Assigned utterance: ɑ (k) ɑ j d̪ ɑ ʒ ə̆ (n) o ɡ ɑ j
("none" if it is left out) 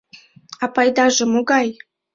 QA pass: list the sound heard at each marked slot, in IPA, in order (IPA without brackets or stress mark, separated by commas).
p, m